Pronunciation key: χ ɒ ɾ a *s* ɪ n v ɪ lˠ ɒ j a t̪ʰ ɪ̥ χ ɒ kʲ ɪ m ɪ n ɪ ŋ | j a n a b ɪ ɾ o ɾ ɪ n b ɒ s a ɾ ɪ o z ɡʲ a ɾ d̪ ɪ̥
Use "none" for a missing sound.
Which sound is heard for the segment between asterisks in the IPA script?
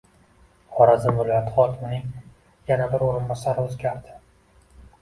z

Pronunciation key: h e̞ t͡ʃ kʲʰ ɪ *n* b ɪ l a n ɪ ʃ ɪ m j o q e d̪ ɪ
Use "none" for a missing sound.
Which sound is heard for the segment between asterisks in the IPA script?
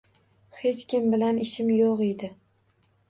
m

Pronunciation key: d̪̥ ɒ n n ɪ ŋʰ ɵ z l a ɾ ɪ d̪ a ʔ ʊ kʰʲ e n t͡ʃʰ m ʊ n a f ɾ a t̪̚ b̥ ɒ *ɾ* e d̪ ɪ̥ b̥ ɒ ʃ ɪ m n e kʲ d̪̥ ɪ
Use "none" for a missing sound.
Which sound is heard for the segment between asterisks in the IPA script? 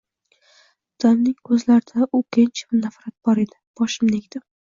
ɾ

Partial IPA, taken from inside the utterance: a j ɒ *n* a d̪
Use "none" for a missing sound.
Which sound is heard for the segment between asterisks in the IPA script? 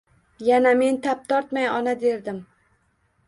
n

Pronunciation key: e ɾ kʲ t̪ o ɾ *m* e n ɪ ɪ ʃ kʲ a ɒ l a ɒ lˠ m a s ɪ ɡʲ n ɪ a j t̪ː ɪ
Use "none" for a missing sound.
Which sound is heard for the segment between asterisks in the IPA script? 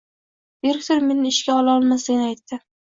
m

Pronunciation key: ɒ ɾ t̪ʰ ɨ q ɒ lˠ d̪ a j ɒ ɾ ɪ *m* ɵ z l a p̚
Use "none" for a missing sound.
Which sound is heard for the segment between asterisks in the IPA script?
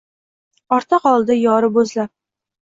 b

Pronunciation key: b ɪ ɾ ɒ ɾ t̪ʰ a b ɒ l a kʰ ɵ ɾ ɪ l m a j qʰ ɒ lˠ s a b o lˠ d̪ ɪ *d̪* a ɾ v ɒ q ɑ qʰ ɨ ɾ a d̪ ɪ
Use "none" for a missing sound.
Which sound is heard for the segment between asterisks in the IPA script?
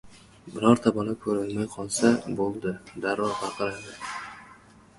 d̪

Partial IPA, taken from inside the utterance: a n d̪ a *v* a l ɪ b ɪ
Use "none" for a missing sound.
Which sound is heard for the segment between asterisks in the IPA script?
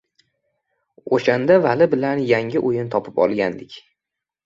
v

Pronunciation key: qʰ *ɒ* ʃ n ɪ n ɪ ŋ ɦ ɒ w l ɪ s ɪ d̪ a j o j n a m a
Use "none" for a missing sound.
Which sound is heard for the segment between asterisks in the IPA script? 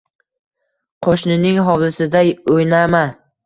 o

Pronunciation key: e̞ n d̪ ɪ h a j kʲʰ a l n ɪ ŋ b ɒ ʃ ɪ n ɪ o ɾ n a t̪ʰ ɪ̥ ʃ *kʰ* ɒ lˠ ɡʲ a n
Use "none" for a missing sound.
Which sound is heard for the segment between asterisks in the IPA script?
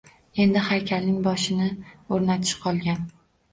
qʰ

